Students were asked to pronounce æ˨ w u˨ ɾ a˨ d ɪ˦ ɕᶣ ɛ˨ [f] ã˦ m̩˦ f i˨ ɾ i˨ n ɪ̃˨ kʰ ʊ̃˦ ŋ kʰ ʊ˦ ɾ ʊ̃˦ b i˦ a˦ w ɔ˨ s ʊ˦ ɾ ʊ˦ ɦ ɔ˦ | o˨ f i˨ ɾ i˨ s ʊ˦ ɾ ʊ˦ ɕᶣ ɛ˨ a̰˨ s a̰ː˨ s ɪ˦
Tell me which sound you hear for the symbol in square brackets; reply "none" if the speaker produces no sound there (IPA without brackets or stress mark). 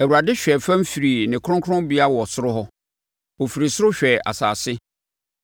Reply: f